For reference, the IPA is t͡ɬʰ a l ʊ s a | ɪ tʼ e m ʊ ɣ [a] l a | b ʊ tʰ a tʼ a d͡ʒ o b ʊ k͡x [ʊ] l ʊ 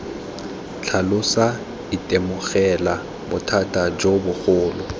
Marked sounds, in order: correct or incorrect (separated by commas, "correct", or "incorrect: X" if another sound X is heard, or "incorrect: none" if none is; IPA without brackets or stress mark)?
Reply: incorrect: ɛ, incorrect: ʊː